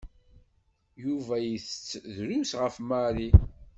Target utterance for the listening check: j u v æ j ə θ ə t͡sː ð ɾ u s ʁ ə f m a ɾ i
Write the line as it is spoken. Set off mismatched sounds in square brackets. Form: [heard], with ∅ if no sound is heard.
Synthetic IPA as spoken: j u v æ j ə θ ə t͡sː ð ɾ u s ʁ ə f m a ɾ i